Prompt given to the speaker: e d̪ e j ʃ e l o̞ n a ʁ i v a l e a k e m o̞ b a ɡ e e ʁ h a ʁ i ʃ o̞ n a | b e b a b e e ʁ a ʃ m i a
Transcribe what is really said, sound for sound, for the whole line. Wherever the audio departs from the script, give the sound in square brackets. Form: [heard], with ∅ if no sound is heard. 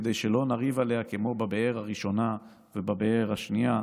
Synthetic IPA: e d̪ e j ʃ e l o̞ n a ʁ i v a l e a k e m o̞ b a [b] e e ʁ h a ʁ i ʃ o̞ n a | [v] e b a b e e ʁ a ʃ [n] i a